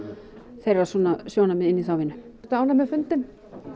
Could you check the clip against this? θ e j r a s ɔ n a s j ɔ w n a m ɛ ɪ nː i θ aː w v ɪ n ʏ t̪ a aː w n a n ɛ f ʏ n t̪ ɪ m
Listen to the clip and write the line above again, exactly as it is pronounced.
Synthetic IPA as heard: θ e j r a s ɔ n a s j o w n a m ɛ ɪ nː i θ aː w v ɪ n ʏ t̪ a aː w n a m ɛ f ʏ n t̪ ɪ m